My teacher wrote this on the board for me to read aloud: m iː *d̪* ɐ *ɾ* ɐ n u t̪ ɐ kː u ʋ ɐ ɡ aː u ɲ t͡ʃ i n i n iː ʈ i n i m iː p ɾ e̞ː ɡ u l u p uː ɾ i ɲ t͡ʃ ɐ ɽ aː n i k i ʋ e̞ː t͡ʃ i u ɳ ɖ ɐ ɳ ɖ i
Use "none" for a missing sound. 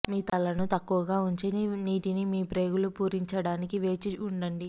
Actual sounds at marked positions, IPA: t̪, l

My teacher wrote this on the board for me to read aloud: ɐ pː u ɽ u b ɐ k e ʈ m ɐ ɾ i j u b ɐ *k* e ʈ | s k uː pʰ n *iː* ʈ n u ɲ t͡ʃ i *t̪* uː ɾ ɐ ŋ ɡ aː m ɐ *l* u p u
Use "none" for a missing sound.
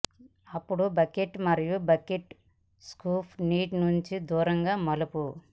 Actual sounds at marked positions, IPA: k, iː, d̪, l

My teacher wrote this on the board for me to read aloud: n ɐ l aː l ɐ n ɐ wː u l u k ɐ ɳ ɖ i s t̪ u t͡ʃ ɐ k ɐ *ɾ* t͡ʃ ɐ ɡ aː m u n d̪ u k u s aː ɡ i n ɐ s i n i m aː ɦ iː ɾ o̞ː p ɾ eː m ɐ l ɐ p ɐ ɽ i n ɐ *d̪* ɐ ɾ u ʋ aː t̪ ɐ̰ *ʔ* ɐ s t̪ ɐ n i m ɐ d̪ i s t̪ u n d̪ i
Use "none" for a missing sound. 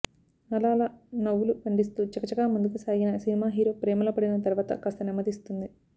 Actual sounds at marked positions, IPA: none, t̪, k

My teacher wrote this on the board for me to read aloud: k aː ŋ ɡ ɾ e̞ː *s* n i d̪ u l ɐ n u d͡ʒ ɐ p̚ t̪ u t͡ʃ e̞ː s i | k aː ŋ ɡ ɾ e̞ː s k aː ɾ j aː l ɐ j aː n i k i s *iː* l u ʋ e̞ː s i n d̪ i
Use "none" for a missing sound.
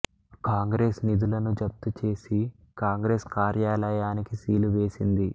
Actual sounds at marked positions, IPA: s, iː

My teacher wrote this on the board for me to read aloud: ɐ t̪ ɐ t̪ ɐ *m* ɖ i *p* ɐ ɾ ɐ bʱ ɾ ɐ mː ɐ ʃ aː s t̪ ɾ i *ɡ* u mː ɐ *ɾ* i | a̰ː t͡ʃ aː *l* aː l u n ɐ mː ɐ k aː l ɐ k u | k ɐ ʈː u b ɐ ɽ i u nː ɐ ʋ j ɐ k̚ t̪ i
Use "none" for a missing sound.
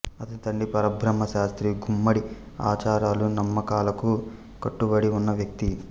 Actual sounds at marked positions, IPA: ɳ, p, ɡ, ɽ, ɾ

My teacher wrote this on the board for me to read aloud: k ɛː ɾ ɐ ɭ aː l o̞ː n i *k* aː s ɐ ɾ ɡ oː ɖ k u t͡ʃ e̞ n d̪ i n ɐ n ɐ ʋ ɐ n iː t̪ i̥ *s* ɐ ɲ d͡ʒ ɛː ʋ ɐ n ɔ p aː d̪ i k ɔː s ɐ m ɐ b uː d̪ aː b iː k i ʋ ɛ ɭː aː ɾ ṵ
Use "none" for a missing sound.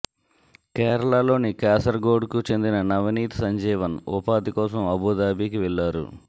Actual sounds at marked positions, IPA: k, s

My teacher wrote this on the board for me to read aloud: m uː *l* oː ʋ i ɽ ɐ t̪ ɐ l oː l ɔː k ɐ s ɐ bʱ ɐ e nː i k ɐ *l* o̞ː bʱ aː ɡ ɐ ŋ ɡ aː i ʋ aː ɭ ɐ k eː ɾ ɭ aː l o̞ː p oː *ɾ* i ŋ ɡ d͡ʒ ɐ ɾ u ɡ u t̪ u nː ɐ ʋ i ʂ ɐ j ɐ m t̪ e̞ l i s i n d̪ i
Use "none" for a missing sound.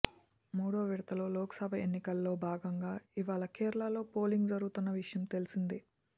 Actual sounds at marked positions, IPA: ɽ, lː, l

